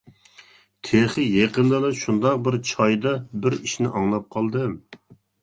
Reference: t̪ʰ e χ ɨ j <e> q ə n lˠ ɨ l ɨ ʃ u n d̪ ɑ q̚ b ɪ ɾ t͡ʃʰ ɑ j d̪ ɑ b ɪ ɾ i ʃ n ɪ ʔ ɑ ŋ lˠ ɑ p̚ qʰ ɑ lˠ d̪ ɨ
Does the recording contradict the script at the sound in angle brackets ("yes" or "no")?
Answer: no